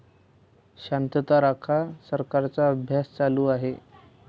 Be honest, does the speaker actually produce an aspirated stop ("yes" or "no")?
yes